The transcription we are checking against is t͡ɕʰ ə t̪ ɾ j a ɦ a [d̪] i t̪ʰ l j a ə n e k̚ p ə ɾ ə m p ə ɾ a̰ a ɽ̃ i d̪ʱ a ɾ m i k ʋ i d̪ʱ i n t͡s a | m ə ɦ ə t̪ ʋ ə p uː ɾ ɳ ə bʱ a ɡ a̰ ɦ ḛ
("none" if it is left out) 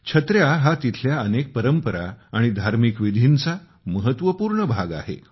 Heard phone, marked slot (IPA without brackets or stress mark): t̪